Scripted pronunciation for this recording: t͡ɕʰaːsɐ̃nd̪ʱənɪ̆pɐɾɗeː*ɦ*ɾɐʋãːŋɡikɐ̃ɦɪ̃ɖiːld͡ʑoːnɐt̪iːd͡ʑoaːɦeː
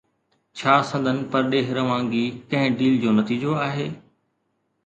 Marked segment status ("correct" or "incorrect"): correct